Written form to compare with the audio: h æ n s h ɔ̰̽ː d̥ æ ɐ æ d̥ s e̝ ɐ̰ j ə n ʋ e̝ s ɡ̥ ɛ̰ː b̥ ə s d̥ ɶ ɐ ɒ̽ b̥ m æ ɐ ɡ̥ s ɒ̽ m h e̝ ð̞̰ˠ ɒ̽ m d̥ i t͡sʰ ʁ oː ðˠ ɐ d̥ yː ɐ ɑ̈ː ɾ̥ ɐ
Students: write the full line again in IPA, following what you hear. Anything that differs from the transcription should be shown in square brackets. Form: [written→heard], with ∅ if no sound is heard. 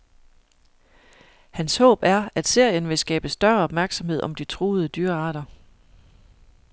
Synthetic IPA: h æ n s h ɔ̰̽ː [d̥→b̥] æ ɐ æ d̥ s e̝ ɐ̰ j ə n ʋ e̝ s ɡ̥ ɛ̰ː b̥ ə s d̥ ɶ ɐ ɒ̽ b̥ m æ ɐ ɡ̥ s ɒ̽ m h e̝ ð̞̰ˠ ɒ̽ m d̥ i t͡sʰ ʁ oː ðˠ [ɐ→ə] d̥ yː ɐ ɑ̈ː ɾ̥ ɐ

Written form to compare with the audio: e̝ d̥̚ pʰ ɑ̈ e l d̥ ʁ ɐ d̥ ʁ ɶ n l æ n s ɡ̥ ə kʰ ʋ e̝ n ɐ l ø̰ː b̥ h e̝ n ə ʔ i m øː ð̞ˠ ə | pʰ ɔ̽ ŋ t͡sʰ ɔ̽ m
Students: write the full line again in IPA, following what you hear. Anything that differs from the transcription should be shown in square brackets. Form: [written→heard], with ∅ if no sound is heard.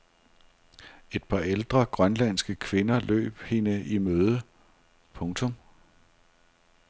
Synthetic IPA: e̝ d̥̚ pʰ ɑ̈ e l d̥ ʁ ɐ [d̥→ɡ̥] ʁ ɶ n l æ n s ɡ̥ ə kʰ ʋ e̝ n ɐ l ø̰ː b̥ h e̝ n ə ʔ i m øː ð̞ˠ ə | pʰ ɔ̽ ŋ t͡sʰ ɔ̽ m

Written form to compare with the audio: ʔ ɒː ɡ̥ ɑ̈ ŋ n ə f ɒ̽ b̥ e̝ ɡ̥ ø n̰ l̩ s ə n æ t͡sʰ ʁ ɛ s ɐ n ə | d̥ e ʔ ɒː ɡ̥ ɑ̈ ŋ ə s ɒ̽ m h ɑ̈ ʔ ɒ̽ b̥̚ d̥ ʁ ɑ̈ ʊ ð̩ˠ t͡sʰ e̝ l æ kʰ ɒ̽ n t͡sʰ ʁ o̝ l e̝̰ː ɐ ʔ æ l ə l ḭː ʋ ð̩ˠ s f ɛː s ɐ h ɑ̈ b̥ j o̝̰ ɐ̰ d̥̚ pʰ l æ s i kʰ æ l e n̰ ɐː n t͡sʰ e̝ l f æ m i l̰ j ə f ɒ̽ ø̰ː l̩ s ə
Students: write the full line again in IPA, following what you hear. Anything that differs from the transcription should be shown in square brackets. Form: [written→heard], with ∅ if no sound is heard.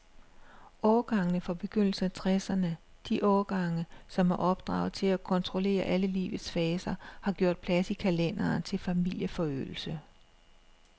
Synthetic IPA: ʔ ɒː ɡ̥ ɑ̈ ŋ n ə f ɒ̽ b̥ e̝ ɡ̥ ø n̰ l̩ s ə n æ t͡sʰ ʁ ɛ s ɐ n ə | d̥ [e→i] ʔ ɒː ɡ̥ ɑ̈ ŋ ə s ɒ̽ m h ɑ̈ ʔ ɒ̽ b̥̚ d̥ ʁ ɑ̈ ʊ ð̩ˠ t͡sʰ e̝ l æ kʰ ɒ̽ n t͡sʰ ʁ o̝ l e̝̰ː ɐ ʔ æ l ə l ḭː ʋ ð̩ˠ s f ɛː s ɐ h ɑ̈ [b̥→ɡ̥] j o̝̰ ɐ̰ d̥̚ pʰ l æ s i kʰ æ l e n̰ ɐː n t͡sʰ e̝ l f æ m i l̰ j ə f ɒ̽ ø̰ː l̩ s ə

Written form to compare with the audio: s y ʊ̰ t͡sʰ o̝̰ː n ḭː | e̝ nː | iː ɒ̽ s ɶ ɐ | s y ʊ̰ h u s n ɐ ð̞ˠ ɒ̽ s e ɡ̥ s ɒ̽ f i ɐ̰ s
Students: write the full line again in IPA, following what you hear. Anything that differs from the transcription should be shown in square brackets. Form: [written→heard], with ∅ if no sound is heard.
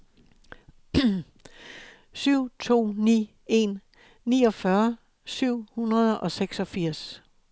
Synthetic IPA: s y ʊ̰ t͡sʰ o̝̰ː n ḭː | e̝ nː | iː ɒ̽ [s→f] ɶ ɐ | s y ʊ̰ h u [s→∅] n ɐ ð̞ˠ ɒ̽ s e ɡ̥ s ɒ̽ f i ɐ̰ s

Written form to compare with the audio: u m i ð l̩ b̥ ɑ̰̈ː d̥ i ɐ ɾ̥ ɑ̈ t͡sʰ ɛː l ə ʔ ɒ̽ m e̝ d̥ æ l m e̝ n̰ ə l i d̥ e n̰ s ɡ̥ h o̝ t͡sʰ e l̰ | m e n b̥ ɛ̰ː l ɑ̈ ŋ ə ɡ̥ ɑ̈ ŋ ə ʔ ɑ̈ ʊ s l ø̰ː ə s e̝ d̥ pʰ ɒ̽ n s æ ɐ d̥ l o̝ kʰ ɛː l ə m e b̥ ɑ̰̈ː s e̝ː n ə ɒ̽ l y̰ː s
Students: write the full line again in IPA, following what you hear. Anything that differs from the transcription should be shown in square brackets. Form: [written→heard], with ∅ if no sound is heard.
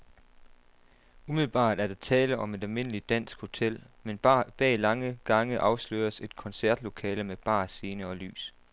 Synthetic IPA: u m i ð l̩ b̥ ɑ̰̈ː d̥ [i→æ] ɐ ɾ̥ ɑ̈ t͡sʰ ɛː l ə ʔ ɒ̽ m e̝ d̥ æ l m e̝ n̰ ə l i d̥ [e→æ] n̰ s ɡ̥ h o̝ t͡sʰ e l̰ | m e n b̥ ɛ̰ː l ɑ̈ ŋ ə ɡ̥ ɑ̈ ŋ ə ʔ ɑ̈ ʊ s l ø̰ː [ə→ɐ] s e̝ d̥ [pʰ→kʰ] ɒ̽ n s æ ɐ d̥ l o̝ kʰ ɛː l ə m e b̥ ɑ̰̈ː s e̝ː n ə ɒ̽ l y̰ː s

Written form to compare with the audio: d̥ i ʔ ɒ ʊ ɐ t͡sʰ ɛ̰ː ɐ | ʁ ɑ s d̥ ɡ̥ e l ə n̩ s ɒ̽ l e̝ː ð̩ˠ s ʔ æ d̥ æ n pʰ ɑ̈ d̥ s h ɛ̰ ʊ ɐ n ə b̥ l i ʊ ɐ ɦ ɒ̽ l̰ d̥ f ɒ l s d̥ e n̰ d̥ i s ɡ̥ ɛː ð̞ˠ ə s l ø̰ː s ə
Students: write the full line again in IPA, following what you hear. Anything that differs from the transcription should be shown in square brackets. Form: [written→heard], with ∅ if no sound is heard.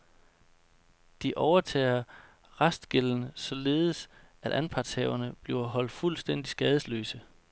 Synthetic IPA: d̥ i ʔ ɒ ʊ ɐ t͡sʰ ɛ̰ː ɐ | ʁ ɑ s d̥ ɡ̥ e l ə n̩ s ɒ̽ l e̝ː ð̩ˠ s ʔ æ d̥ æ n pʰ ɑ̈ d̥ s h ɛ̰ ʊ ɐ n ə b̥ l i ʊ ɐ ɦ ɒ̽ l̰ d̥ f [ɒ→u] l s d̥ e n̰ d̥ i s ɡ̥ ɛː ð̞ˠ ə s l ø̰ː s ə

